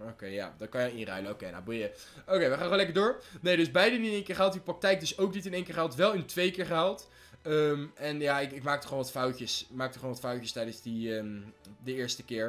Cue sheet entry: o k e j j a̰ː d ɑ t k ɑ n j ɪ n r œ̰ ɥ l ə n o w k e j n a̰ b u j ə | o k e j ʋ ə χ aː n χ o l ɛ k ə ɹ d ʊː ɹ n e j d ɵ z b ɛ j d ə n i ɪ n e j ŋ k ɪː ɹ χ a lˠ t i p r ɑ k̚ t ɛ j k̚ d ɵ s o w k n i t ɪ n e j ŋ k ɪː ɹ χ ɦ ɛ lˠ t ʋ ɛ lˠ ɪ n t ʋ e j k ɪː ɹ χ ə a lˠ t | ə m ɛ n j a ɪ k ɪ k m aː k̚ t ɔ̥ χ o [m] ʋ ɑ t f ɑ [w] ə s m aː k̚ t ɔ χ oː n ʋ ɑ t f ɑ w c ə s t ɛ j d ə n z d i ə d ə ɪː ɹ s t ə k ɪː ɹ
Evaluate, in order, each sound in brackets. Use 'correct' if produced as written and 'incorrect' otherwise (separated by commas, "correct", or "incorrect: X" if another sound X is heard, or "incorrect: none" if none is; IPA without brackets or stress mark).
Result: incorrect: n, correct